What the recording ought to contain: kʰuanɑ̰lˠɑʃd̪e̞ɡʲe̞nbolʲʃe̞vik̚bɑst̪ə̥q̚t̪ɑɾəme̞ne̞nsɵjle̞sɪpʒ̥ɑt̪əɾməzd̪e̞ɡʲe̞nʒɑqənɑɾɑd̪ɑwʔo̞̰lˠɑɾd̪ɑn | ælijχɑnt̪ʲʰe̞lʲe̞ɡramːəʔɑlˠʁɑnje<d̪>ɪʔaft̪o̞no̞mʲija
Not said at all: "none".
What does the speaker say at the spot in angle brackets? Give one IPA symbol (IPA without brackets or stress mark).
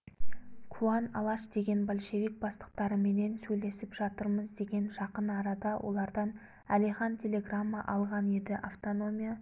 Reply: d̪